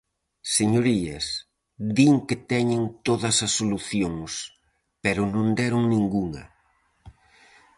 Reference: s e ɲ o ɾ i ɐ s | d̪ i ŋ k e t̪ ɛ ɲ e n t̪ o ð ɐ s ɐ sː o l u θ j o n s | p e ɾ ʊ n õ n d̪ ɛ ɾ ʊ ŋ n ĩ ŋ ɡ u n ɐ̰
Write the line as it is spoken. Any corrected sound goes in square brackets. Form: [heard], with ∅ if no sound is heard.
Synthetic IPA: s e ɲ o ɾ i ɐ s | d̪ i ŋ k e t̪ ɛ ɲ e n t̪ o ð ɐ s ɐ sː o l u θ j o [ŋ] s | p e ɾ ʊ n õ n d̪ ɛ ɾ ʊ ŋ n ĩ ŋ ɡ u [ŋ] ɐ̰